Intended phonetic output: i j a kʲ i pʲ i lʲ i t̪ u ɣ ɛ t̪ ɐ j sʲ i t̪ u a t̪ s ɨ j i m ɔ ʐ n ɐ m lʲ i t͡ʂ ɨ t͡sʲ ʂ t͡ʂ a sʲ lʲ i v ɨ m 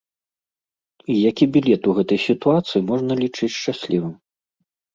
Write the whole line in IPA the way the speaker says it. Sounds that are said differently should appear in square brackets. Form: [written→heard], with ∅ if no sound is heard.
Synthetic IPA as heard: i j a kʲ i [pʲ→bʲ] i lʲ [i→ɛ] t̪ u ɣ ɛ t̪ ɐ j sʲ i t̪ u a t̪ s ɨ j i m ɔ ʐ n ɐ [m→∅] lʲ i t͡ʂ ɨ t͡sʲ ʂ t͡ʂ a sʲ lʲ i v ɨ m

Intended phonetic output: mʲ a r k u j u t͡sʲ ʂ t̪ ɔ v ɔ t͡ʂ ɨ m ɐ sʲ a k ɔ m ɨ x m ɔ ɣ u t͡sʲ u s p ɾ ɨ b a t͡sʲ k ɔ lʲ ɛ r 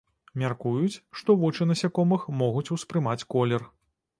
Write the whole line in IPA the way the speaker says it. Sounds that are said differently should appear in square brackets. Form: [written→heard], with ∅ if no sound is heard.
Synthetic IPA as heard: mʲ a r k u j u t͡sʲ ʂ t̪ ɔ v ɔ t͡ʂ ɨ [m→n] ɐ sʲ a k ɔ m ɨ x m ɔ ɣ u t͡sʲ u s p ɾ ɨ [b→m] a t͡sʲ k ɔ lʲ ɛ r

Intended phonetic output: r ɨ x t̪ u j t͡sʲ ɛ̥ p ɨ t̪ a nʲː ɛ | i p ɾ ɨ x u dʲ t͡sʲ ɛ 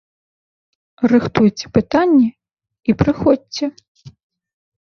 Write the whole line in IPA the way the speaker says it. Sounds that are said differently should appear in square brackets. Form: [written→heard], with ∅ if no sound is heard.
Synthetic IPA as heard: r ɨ x t̪ u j t͡sʲ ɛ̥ p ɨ t̪ a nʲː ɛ | i p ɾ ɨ x [u→ɔ] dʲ t͡sʲ ɛ

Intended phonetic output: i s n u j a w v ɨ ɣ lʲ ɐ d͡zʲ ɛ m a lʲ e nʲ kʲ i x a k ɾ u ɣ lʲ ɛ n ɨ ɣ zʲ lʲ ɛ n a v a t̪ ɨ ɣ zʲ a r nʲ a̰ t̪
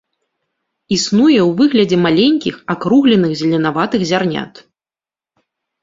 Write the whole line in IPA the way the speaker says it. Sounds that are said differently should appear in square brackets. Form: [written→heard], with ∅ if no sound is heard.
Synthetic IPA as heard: i s n u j [a→ɛ] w v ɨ ɣ lʲ ɐ d͡zʲ ɛ m a lʲ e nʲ kʲ i x a k ɾ u ɣ lʲ ɛ n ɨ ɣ zʲ lʲ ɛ n a v a t̪ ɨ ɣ zʲ a r nʲ a̰ t̪

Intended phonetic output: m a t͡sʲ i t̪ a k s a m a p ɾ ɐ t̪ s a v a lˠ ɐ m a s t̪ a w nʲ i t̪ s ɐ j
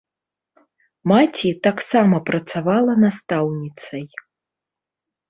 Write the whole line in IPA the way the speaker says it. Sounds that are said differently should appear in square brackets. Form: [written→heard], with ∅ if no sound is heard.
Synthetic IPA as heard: m a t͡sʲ i t̪ a k s a m [a→ɐ] p ɾ ɐ t̪ s a v a lˠ ɐ [m→n] a s t̪ a w nʲ i t̪ s ɐ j

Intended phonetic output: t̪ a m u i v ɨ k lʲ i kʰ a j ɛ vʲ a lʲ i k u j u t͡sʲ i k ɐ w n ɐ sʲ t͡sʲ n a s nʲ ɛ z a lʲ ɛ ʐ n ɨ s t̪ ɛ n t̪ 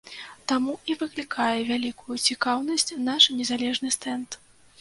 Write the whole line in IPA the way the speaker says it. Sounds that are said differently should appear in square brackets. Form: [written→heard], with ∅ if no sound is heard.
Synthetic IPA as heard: t̪ a m u i v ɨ k lʲ i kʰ a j ɛ vʲ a lʲ i k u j u t͡sʲ i k [ɐ→a] w n ɐ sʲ t͡sʲ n a [s→ʂ] nʲ ɛ z a lʲ ɛ ʐ n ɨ s t̪ ɛ n t̪

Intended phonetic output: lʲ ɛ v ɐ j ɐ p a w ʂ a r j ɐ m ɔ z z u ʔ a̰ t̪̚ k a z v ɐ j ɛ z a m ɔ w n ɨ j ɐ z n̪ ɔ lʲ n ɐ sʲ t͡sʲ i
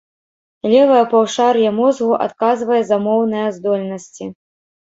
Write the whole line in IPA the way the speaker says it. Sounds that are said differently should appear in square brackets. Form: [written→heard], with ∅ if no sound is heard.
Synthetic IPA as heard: lʲ ɛ v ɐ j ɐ p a w ʂ a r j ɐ m ɔ z [z→ɣ] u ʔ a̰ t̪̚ k a z v ɐ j ɛ z a m ɔ w n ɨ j ɐ z [n̪→d̪] ɔ lʲ n ɐ sʲ t͡sʲ i

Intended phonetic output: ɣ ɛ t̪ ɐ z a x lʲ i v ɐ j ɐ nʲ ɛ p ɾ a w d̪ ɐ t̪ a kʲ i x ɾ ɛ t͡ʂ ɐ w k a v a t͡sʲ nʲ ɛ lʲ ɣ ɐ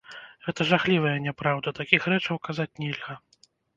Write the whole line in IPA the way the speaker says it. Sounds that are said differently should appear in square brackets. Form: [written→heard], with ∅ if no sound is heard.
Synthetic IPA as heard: ɣ ɛ t̪ ɐ [z→ʐ] a x lʲ i v ɐ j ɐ nʲ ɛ p ɾ a w d̪ ɐ t̪ a kʲ i x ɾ ɛ t͡ʂ ɐ w k a [v→z] a t͡sʲ nʲ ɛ lʲ ɣ ɐ

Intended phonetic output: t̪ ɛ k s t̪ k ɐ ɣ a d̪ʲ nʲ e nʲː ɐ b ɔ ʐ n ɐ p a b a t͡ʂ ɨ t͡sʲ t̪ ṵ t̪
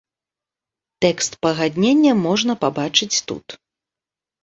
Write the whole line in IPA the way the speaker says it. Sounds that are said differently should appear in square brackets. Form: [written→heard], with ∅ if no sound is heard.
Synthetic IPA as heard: t̪ ɛ k s t̪ [k→p] ɐ ɣ a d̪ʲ nʲ e nʲː ɐ [b→m] ɔ ʐ n ɐ p a b a t͡ʂ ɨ t͡sʲ t̪ ṵ t̪

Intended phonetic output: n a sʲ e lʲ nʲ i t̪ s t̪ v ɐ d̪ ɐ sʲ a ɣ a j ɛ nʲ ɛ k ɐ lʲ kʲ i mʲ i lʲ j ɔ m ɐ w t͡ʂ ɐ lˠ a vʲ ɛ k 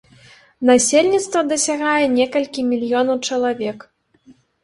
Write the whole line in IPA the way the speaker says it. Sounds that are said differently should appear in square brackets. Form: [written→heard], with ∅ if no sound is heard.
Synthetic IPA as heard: n a sʲ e lʲ nʲ i t̪ s t̪ v ɐ d̪ ɐ sʲ a ɣ a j ɛ nʲ ɛ k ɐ lʲ kʲ i mʲ i lʲ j ɔ [m→n] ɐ w t͡ʂ ɐ lˠ a vʲ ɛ k

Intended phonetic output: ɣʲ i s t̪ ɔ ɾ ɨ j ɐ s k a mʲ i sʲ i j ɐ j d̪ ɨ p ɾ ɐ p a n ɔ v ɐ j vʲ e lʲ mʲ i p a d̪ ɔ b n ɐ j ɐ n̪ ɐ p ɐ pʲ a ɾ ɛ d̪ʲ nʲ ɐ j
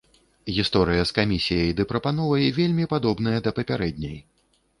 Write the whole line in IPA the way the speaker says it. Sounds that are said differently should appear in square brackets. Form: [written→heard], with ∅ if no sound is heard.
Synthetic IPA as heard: ɣʲ i s t̪ ɔ ɾ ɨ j ɐ s k a mʲ i sʲ i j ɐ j d̪ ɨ p ɾ ɐ p a n ɔ v ɐ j vʲ e lʲ mʲ i p a d̪ ɔ b n ɐ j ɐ [n̪→d̪] ɐ p ɐ pʲ a ɾ ɛ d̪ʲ nʲ ɐ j

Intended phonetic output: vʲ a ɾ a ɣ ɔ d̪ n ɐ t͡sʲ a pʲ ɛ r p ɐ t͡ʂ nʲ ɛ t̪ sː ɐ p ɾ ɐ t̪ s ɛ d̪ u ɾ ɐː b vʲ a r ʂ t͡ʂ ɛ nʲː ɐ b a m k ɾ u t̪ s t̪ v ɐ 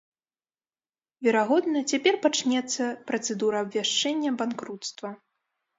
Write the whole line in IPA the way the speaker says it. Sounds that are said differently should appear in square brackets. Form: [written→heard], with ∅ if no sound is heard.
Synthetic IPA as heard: vʲ [a→ɛ] ɾ a ɣ ɔ d̪ n ɐ t͡sʲ a pʲ ɛ r p [ɐ→a] t͡ʂ nʲ ɛ t̪ sː ɐ p ɾ ɐ t̪ s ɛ d̪ u ɾ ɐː b vʲ a [r→∅] ʂ t͡ʂ ɛ nʲː ɐ b a [m→n] k ɾ u t̪ s t̪ v ɐ

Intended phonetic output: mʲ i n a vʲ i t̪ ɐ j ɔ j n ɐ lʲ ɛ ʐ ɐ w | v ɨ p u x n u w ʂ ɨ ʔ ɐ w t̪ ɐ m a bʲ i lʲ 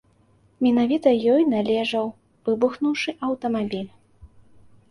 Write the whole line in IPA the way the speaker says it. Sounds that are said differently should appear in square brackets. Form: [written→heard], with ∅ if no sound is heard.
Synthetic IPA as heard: mʲ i n a vʲ i t̪ ɐ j ɔ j n [ɐ→a] lʲ ɛ ʐ ɐ w | v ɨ [p→b] u x n u w ʂ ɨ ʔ ɐ w t̪ ɐ m a bʲ i lʲ

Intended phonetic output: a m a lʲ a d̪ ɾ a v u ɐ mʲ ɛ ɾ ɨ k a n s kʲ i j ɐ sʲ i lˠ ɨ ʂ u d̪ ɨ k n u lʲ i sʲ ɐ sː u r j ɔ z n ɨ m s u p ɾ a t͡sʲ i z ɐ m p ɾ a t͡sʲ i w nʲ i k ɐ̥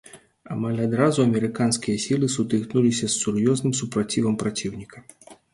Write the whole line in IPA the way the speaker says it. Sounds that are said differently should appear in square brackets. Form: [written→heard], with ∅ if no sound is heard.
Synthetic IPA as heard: a m a lʲ a d̪ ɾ a [v→z] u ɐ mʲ ɛ ɾ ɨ k a n s kʲ i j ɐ sʲ i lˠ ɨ [ʂ→s] u [d̪→t̪] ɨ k n u lʲ i sʲ ɐ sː u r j ɔ z n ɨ m s u p ɾ a t͡sʲ i [z→v] ɐ m p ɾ a t͡sʲ i w nʲ i k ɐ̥

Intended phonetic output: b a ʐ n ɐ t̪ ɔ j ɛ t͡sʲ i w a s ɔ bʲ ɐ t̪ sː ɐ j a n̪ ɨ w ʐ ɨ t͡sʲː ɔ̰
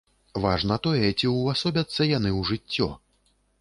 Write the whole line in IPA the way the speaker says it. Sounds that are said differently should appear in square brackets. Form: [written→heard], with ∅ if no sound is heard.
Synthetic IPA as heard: [b→v] a ʐ n ɐ t̪ ɔ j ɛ t͡sʲ i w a s ɔ bʲ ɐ t̪ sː ɐ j a n̪ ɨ w ʐ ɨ t͡sʲː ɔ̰

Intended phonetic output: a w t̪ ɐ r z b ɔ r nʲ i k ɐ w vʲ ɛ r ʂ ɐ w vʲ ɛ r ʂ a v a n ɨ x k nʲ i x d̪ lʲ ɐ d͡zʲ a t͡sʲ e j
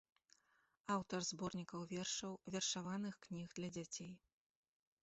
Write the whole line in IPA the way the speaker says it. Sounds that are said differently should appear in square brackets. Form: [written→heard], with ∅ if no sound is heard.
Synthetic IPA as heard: a w t̪ ɐ r z b ɔ r nʲ i k ɐ w vʲ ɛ r ʂ ɐ w vʲ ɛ r ʂ a v a n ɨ x k nʲ i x d̪ lʲ ɐ d͡zʲ a t͡sʲ e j

